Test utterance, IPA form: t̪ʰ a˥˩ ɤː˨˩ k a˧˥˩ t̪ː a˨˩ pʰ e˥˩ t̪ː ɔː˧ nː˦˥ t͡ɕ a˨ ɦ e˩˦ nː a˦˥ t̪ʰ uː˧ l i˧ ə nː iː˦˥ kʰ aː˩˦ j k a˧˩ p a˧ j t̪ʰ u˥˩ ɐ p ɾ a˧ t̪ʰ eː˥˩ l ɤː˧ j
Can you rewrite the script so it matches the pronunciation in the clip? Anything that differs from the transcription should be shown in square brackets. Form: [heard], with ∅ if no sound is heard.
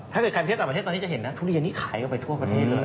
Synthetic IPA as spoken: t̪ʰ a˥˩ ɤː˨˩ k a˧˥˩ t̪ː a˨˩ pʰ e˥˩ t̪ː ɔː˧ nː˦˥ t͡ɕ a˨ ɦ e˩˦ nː a˦˥ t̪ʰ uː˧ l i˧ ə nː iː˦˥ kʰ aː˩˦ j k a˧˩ p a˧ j t̪ʰ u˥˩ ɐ p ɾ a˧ t̪ʰ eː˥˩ l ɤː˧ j